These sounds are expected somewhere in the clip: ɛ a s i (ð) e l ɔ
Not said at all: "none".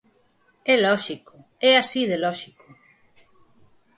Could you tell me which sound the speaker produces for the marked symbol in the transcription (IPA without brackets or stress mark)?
ð